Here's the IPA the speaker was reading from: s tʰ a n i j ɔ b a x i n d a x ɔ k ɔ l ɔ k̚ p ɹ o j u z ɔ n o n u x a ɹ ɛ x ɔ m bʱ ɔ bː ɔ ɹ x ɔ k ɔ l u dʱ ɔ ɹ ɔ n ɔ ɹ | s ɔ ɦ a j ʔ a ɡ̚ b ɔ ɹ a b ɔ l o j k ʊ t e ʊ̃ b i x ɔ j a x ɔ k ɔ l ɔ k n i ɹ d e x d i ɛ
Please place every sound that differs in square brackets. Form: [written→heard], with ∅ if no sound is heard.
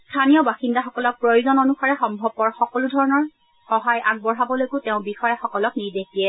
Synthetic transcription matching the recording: s tʰ a n i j ɔ b a x i n d a x ɔ k ɔ l ɔ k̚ p ɹ o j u z ɔ n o n u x a ɹ ɛ x ɔ m bʱ ɔ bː ɔ ɹ x ɔ k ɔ l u dʱ ɔ ɹ ɔ n ɔ ɹ | [s→x] ɔ ɦ a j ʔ a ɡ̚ b ɔ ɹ a b ɔ l o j k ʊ t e ʊ̃ b i x ɔ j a x ɔ k ɔ l ɔ k n i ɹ d e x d i ɛ